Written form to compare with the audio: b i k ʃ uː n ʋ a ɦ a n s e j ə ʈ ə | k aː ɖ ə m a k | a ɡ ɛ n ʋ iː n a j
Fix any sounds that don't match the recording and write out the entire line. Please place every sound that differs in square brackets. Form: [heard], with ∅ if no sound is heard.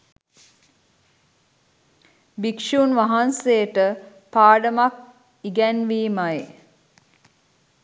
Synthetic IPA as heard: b i k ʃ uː n ʋ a ɦ a n s e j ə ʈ ə | [p] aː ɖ ə m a k | [i] ɡ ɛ n ʋ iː [m] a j

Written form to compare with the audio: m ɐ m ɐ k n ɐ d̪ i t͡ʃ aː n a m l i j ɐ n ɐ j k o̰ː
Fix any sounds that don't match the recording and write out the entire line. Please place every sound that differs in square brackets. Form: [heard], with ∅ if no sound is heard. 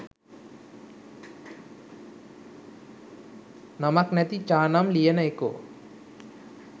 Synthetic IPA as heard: [n] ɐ m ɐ k n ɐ [t̪] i t͡ʃ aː n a m l i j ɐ n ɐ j k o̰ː

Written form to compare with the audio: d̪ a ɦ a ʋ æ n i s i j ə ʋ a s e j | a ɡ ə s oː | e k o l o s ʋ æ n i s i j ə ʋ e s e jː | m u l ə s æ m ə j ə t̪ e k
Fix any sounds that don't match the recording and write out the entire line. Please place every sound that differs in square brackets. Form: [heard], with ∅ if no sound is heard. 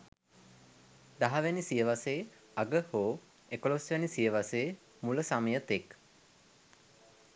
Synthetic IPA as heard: d̪ a ɦ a ʋ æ n i s i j ə ʋ a s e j | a ɡ ə [h] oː | e k o l o s ʋ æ n i s i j ə ʋ [a] s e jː | m u l ə s [a] m ə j ə t̪ e k

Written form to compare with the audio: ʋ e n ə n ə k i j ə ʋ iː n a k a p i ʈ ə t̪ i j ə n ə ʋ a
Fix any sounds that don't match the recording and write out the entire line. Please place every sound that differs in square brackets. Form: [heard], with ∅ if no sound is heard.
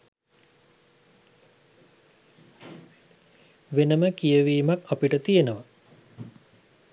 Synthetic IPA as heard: ʋ e n ə [m] ə k i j ə ʋ iː [m] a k a p i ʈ ə t̪ i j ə n ə ʋ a

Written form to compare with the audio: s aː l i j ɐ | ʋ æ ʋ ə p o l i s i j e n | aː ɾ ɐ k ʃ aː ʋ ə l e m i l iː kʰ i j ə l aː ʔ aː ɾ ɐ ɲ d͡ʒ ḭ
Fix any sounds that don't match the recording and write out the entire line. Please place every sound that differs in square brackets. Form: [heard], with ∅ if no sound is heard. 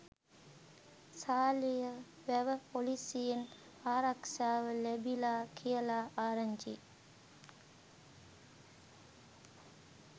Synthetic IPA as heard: s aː l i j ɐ | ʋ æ ʋ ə p o l i s i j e n | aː ɾ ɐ k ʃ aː ʋ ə l e [b] i l [aː] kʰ i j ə l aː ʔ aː ɾ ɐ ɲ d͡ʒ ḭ

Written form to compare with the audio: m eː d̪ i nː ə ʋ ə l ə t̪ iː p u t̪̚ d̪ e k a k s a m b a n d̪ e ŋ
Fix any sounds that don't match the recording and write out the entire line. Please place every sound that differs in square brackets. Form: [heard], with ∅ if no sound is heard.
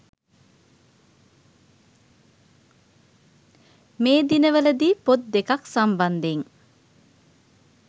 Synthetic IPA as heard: m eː d̪ i [n] ə ʋ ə l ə [d̪] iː p [o] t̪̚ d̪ e k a k s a m b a n d̪ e ŋ

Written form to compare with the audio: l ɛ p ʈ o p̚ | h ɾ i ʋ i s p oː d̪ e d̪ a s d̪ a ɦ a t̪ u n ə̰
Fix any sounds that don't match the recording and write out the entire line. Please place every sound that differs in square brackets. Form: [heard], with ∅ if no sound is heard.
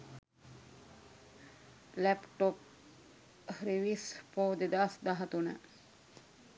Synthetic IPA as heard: l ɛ p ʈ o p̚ | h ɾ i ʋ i s p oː d̪ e d̪ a s d̪ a ɦ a t̪ u n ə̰

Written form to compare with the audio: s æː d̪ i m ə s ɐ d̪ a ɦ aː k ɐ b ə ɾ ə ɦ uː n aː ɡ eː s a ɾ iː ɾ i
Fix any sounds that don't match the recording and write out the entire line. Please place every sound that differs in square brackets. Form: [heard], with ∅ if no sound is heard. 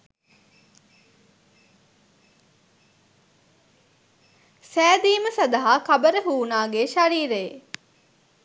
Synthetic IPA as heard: s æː d̪ [iː] m ə s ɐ d̪ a ɦ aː k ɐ b ə ɾ ə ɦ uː n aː ɡ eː [ʃ] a ɾ iː ɾ [e]

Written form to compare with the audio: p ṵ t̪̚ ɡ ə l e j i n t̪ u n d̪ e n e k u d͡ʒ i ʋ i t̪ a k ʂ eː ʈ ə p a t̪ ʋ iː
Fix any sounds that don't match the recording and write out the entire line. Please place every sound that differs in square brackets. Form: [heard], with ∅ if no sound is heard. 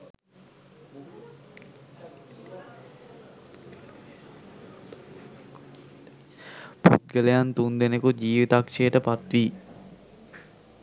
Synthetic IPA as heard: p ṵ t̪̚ ɡ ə l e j [a] n t̪ u n d̪ e n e k u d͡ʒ [iː] ʋ i t̪ a k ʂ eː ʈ ə p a t̪ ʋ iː

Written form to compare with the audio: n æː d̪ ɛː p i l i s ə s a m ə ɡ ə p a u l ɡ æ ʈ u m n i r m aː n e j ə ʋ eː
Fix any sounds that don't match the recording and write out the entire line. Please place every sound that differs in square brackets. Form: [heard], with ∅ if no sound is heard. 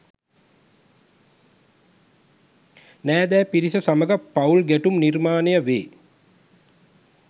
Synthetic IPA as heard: n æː d̪ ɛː p i [ɾ] i s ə s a m ə ɡ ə p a u l ɡ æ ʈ u m n i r m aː n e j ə ʋ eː

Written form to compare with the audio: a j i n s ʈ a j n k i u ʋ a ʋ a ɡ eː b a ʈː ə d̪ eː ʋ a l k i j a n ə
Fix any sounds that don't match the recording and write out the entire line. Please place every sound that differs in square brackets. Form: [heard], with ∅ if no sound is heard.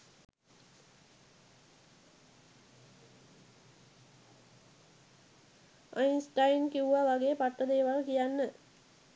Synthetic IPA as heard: a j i n s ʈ a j n k i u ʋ a ʋ a ɡ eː [p] a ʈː ə d̪ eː ʋ a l k i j a [nː] ə

